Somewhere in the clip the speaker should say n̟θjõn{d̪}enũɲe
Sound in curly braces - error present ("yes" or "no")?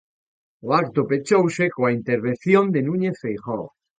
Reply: no